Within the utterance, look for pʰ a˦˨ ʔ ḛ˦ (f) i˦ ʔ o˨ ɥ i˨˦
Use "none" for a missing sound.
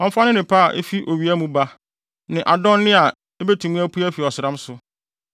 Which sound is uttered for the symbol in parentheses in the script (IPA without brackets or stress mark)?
f